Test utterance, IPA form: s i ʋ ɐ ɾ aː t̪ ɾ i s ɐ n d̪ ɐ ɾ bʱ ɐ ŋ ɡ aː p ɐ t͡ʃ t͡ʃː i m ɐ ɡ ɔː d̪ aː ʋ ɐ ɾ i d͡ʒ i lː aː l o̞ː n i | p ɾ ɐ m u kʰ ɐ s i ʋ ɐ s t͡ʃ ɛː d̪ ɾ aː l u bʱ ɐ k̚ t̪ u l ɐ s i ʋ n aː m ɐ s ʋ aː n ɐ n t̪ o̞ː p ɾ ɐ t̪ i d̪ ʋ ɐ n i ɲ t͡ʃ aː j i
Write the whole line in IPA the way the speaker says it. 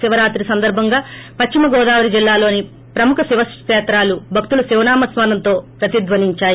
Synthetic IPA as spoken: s i ʋ ɐ ɾ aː t̪ ɾ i s ɐ n d̪ ɐ ɾ bʱ ɐ ŋ ɡ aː p ɐ t͡ʃ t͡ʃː i m ɐ ɡ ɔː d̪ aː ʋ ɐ ɾ i d͡ʒ i lː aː l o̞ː n i | p ɾ ɐ m u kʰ ɐ s i ʋ ɐ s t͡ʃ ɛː t̪ ɾ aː l u bʱ ɐ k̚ t̪ u l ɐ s i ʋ n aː m ɐ s ʋ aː n ɐ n t̪ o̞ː p ɾ ɐ t̪ i d̪ ʋ ɐ n i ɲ t͡ʃ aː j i